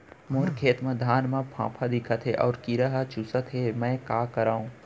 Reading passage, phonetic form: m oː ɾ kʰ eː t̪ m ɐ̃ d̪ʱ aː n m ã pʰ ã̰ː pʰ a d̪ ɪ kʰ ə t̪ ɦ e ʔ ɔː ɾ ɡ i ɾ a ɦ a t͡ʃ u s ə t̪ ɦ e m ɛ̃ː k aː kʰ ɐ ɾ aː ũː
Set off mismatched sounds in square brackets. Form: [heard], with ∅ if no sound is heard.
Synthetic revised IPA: m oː ɾ kʰ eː t̪ m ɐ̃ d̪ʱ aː n m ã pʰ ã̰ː pʰ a d̪ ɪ kʰ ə t̪ ɦ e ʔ ɔː ɾ [k] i ɾ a ɦ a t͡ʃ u s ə t̪ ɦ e m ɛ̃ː k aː [k] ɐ ɾ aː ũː